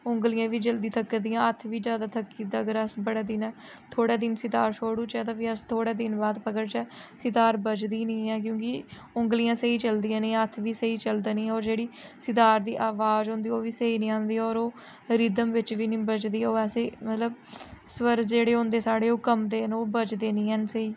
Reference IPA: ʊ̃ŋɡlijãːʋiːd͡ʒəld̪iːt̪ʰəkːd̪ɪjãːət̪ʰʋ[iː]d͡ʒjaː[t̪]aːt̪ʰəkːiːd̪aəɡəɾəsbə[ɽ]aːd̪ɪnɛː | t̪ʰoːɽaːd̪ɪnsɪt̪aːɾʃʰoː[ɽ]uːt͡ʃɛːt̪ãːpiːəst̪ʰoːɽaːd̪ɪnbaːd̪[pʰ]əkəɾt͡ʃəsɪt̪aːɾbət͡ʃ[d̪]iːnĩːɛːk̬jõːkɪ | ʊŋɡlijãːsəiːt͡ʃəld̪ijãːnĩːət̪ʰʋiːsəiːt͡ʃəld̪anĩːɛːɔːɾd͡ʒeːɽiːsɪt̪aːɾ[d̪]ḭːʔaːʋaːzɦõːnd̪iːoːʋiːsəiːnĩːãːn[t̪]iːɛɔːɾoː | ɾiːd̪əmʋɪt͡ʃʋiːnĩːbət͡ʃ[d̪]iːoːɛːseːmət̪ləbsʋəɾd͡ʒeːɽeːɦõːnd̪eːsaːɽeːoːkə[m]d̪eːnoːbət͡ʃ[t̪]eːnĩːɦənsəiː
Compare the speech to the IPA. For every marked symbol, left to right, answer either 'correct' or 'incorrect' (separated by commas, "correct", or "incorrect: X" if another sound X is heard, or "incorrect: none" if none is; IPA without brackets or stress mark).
correct, incorrect: d̪, correct, correct, incorrect: p, correct, correct, incorrect: d̪, correct, correct, incorrect: d̪